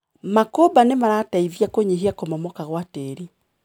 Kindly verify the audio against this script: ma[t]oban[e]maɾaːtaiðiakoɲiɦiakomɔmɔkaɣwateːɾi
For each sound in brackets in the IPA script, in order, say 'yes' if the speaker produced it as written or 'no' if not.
no, yes

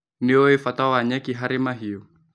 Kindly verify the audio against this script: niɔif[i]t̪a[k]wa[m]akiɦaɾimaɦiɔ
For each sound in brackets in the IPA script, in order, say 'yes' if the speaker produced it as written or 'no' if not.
no, no, no

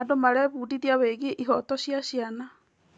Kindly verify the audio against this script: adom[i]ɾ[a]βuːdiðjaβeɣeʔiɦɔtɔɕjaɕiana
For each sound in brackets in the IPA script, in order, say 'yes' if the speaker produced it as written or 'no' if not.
no, no

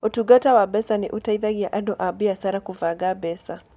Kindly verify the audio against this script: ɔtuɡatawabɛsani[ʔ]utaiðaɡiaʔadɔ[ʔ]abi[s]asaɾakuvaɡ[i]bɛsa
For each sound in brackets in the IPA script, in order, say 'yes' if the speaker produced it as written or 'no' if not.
yes, yes, no, no

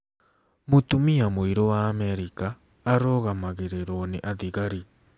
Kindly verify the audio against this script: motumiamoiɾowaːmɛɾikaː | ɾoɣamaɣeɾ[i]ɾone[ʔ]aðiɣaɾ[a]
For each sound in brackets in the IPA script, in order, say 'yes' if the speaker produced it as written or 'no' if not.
no, yes, no

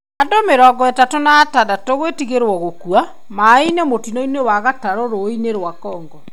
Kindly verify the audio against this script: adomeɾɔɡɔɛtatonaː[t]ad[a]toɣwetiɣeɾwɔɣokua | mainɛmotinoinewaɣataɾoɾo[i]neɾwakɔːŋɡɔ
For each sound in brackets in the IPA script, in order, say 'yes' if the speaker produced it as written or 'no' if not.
yes, yes, yes

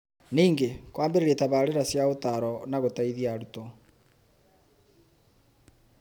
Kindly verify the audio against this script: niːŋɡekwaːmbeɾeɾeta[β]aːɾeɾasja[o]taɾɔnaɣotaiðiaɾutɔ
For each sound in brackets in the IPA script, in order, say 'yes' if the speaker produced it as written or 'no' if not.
yes, yes

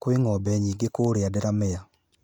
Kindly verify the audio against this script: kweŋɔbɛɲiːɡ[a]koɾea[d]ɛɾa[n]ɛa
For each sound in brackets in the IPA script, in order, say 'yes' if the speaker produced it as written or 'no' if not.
no, yes, no

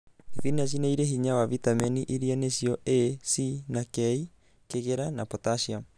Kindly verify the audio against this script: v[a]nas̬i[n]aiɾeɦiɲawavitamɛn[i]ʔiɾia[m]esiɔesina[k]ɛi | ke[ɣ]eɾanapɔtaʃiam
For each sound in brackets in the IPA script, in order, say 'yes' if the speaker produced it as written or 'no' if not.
no, yes, yes, no, yes, yes

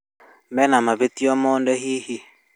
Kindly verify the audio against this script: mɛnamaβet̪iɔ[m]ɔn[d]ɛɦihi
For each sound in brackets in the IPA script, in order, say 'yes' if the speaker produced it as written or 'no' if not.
yes, yes

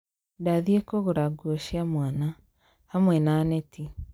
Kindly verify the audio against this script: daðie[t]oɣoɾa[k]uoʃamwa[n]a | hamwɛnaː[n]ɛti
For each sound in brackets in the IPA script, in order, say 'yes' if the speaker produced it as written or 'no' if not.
no, no, yes, yes

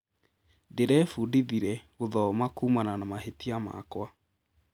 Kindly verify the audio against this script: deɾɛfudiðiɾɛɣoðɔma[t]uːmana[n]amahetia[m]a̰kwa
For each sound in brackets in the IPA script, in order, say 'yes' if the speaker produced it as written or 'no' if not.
no, yes, yes

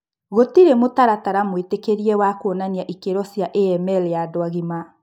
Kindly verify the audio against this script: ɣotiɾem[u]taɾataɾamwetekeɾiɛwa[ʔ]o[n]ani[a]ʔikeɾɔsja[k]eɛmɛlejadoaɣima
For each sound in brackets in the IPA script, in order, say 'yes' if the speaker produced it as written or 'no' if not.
no, no, yes, yes, no

